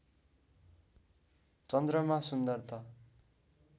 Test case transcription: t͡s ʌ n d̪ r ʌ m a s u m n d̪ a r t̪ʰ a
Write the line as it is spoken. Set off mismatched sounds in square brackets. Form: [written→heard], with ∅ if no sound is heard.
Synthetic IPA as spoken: t͡s ʌ n d̪ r ʌ m a s u [m→∅] n d̪ [a→ʌ] r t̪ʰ [a→ʌ]